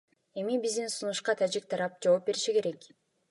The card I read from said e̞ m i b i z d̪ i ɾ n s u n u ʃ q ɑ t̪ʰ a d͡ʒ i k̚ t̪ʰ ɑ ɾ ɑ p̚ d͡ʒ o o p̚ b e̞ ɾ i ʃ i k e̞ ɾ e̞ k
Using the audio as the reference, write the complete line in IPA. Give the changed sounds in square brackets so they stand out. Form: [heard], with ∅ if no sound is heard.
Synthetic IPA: e̞ m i b i z d̪ i [∅] n s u n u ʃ q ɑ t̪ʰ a d͡ʒ i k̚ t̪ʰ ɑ ɾ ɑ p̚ d͡ʒ o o p̚ b e̞ ɾ i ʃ i k e̞ ɾ e̞ k

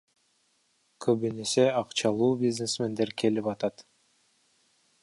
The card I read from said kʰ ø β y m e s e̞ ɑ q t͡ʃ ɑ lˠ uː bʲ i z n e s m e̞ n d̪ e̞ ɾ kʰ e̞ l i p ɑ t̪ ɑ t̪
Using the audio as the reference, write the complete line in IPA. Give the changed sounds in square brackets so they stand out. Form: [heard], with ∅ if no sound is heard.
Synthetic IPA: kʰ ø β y [n] e s e̞ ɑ q t͡ʃ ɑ lˠ uː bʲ i z n e s m e̞ n d̪ e̞ ɾ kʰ e̞ l i p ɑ t̪ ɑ t̪

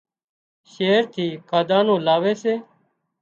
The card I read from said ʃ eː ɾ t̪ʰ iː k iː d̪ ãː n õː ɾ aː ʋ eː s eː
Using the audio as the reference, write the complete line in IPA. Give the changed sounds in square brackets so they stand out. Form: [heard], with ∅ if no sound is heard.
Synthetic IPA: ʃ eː ɾ t̪ʰ iː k [aː] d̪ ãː n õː [l] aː ʋ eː s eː

